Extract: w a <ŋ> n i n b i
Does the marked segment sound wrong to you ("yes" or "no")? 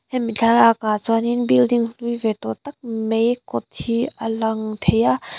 yes